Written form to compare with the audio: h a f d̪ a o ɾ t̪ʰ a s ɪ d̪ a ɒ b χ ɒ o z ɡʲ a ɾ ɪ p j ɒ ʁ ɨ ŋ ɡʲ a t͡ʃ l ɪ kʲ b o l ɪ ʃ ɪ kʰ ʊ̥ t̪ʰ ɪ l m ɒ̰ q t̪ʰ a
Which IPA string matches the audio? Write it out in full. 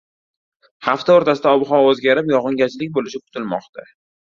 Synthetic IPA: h a f t̪ a o ɾ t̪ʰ a s ɪ d̪ a ɒ b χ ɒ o z ɡʲ a ɾ ɪ p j ɒ ʁ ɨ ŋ ɡʲ a t͡ʃ l ɪ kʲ b o l ɪ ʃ ɪ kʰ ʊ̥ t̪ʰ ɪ l m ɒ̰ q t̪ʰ a